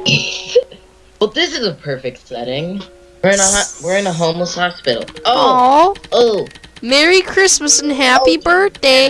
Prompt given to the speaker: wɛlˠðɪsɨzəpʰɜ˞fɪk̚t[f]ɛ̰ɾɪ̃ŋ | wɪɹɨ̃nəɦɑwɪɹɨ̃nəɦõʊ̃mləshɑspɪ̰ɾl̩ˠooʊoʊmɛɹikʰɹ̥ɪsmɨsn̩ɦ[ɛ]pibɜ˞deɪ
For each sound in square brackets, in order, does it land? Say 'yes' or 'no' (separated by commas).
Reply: no, no